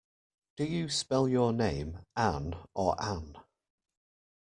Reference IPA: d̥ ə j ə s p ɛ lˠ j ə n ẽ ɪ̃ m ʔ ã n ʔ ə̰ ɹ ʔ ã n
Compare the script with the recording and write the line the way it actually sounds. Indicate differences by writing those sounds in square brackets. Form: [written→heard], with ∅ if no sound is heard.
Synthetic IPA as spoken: d̥ ə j ə s p ɛ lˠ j ə n ẽ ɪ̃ m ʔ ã n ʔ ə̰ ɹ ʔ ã n